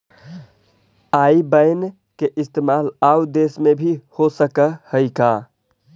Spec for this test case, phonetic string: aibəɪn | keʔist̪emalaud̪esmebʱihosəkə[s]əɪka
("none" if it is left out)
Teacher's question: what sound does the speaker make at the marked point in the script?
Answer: h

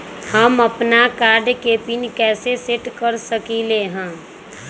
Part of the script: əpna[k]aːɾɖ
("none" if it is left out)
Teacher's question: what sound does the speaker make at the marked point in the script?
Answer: k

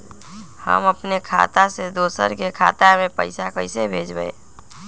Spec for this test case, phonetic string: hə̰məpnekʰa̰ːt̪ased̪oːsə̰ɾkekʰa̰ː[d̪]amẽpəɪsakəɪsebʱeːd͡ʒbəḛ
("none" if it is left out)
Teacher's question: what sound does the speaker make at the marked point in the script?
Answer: t̪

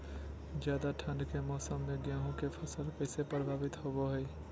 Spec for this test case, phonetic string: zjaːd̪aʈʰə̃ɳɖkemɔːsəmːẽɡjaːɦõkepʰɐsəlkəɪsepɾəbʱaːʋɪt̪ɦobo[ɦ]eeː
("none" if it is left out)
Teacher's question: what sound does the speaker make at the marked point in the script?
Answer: ɦ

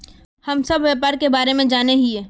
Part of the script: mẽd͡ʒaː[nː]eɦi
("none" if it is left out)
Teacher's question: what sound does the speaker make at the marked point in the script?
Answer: n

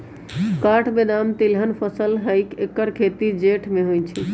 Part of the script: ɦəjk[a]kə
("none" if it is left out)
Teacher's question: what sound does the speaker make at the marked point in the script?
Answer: e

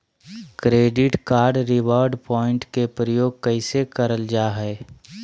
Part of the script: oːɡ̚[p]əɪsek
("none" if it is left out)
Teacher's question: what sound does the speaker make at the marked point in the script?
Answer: k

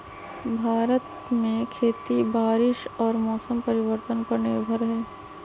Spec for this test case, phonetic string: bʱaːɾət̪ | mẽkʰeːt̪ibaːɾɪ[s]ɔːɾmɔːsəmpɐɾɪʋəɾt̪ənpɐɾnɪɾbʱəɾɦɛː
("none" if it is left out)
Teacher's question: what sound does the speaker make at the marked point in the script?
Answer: ʃ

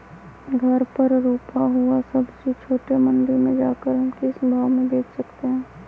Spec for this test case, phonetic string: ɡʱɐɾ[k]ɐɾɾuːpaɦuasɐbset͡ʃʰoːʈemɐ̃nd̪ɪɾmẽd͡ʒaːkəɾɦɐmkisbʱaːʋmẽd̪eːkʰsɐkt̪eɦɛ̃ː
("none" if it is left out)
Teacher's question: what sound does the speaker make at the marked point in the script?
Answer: p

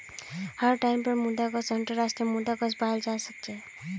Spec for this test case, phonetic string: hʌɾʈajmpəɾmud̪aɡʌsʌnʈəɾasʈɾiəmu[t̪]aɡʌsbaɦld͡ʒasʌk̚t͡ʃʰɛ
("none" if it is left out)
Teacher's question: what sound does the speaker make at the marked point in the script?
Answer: d̪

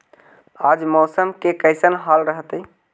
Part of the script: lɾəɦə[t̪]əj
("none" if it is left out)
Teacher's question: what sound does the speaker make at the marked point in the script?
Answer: t̪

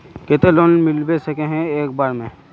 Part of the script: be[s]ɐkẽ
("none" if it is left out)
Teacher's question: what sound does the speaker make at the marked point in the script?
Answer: s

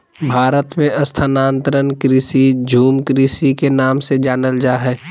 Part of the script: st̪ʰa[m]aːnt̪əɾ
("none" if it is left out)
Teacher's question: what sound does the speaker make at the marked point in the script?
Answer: n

